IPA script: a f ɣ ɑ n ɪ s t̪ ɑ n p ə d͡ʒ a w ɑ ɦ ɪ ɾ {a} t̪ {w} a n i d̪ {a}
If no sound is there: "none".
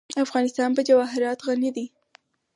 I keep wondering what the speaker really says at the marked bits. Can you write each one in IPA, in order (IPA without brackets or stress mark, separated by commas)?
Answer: ɑ, ɣ, i